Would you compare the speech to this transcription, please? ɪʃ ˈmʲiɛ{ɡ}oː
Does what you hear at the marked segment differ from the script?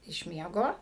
no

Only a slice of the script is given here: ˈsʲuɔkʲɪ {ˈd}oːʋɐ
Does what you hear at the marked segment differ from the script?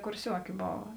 yes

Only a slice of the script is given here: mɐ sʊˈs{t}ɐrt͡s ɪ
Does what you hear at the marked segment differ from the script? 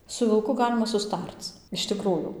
no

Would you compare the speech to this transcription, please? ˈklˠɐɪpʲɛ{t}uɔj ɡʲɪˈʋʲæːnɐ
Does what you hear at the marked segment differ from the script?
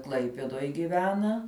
yes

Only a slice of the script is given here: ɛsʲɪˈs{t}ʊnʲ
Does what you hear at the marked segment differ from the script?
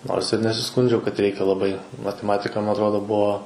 yes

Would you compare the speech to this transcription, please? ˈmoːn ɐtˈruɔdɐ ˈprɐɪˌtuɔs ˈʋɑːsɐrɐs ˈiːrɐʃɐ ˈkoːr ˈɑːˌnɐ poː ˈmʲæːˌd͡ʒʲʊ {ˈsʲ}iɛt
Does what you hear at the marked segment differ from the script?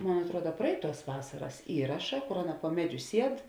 no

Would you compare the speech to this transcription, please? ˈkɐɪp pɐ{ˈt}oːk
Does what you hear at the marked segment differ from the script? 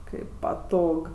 no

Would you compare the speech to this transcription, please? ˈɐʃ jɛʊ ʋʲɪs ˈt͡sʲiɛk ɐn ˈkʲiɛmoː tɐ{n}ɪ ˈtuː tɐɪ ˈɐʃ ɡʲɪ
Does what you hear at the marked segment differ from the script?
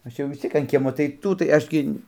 yes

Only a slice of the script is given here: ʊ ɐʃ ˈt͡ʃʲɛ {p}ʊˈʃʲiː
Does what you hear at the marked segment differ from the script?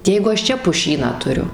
no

